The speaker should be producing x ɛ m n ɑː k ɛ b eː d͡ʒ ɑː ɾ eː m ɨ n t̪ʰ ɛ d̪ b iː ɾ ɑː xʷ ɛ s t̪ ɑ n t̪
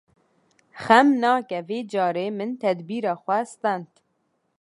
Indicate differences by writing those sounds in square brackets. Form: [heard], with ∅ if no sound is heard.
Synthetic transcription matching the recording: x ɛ m n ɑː k ɛ [v] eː d͡ʒ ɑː ɾ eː m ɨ n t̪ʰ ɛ d̪ b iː ɾ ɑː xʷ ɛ s t̪ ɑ n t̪